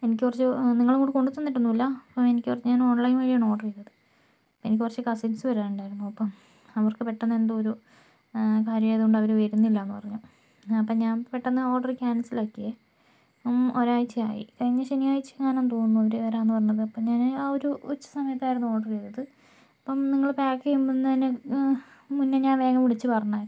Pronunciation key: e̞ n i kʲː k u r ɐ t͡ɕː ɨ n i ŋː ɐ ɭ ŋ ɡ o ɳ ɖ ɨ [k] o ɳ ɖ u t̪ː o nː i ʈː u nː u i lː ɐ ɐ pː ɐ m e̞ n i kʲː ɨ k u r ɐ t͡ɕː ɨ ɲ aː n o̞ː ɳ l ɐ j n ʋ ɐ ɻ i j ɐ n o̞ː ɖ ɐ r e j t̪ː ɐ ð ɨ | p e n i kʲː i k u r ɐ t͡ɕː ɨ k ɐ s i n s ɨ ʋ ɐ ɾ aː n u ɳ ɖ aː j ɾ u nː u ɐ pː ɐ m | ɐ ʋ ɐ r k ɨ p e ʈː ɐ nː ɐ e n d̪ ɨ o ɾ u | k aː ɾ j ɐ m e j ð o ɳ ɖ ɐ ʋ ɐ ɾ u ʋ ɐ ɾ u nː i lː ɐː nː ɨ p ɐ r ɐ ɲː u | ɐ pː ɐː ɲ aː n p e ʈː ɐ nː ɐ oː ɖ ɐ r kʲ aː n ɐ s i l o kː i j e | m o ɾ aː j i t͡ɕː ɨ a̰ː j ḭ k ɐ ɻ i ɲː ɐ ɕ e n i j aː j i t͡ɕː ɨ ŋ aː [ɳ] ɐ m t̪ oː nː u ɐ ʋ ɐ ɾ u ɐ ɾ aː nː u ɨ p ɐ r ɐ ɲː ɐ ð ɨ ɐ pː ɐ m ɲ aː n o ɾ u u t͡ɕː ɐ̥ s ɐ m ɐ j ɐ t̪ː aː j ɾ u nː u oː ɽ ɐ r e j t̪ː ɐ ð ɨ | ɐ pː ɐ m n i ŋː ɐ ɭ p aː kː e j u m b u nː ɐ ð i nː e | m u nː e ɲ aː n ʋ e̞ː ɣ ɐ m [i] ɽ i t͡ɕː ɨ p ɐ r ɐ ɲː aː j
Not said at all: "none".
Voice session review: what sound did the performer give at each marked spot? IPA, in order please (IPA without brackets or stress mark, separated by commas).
k, n, i